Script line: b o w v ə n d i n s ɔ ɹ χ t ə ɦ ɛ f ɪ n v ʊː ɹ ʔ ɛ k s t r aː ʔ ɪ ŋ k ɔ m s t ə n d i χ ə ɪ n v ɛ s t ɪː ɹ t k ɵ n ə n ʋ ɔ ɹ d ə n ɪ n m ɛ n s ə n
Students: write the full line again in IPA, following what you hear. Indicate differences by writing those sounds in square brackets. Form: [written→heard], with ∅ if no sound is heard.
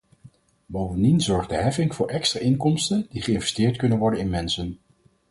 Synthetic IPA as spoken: b o w v ə n d i n [s→z] ɔ ɹ χ [t→d] ə ɦ ɛ f ɪ [n→ŋ] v ʊː ɹ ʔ ɛ k s t r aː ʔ ɪ ŋ k ɔ m s t ə n d i χ ə ɪ n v ɛ s t ɪː ɹ t k ɵ n ə n ʋ ɔ ɹ d ə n ɪ n m ɛ n s ə n